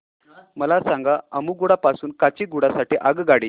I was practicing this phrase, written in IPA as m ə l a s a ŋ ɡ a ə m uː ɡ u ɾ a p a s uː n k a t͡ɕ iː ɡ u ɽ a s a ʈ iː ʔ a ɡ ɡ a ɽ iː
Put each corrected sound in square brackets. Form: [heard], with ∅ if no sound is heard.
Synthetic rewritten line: m ə l a s a ŋ ɡ a ə m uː ɡ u [ɽ] a p a s uː n k a t͡ɕ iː ɡ u ɽ a s a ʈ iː ʔ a ɡ ɡ a ɽ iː